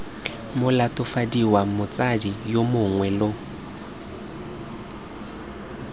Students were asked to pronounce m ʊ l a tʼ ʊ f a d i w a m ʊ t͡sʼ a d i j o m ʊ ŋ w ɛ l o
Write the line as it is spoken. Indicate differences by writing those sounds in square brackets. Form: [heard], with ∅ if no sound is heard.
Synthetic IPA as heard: m ʊ l a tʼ ʊ f a d i w a m ʊ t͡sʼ a d i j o m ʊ ŋ w ɛ l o